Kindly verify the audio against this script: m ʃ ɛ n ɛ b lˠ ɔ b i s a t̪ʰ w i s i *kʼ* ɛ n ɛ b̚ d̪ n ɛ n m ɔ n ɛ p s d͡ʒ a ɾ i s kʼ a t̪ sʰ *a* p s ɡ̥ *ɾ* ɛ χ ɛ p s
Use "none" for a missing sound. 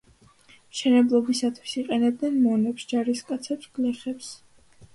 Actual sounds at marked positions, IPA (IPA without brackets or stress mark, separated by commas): qʼ, ɛ, l